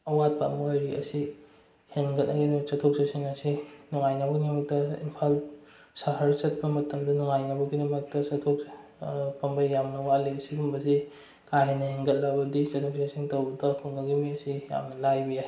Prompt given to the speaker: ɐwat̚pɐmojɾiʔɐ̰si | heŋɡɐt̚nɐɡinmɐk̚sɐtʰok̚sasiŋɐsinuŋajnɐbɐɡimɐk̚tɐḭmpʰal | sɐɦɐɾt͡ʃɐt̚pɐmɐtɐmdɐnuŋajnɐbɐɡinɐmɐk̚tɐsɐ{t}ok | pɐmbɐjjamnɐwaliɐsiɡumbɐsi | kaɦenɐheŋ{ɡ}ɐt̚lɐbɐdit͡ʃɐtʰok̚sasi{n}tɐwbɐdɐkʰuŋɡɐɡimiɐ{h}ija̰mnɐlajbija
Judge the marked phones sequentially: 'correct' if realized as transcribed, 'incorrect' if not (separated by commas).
incorrect, correct, incorrect, incorrect